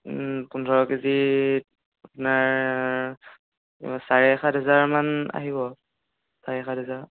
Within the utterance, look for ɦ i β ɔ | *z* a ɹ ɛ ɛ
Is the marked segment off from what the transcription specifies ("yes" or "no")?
yes